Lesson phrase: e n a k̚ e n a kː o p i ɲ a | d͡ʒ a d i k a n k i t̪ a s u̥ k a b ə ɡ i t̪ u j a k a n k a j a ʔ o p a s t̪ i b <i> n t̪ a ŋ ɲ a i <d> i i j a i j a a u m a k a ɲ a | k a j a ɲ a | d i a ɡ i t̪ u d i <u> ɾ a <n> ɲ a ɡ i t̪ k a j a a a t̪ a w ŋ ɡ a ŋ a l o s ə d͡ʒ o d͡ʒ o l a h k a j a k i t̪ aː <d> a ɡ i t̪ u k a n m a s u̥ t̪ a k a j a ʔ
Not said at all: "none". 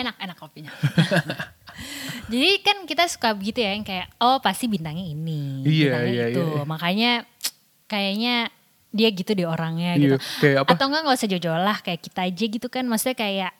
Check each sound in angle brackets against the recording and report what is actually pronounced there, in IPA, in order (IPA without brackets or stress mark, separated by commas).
i, n, o, ŋ, d͡ʒ